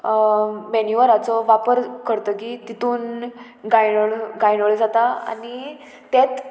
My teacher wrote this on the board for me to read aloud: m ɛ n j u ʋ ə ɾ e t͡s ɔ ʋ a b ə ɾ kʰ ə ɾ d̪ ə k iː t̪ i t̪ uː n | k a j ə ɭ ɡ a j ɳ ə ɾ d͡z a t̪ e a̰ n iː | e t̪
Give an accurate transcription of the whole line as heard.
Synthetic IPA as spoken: m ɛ n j u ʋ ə ɾ a t͡s ɔ ʋ a p ə ɾ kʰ ə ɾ t̪ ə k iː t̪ i t̪ uː n | ɡ a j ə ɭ ɡ a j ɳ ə ɭ d͡z a t̪ a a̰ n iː | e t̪